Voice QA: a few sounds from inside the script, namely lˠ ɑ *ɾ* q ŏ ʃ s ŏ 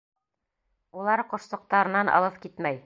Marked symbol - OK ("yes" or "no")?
yes